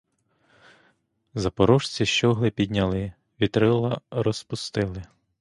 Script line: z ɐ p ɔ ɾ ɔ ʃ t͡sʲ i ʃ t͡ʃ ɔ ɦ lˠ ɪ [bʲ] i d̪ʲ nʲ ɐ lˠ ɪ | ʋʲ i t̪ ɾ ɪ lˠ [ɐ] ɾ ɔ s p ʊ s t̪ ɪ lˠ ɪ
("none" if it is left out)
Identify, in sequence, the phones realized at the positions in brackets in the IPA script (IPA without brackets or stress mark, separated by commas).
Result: pʲ, ɐ